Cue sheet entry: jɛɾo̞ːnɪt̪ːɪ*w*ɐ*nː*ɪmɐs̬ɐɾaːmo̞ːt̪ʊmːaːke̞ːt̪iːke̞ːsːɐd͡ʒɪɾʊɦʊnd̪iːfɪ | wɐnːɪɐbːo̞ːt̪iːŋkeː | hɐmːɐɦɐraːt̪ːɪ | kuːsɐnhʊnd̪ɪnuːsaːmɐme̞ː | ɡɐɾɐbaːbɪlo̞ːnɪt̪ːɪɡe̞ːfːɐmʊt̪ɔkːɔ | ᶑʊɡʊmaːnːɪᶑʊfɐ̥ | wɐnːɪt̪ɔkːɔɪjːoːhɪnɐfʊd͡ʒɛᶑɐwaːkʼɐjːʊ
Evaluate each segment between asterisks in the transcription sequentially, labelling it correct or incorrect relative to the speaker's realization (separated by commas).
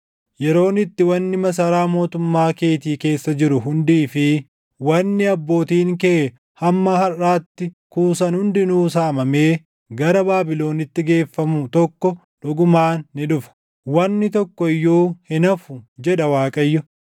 correct, correct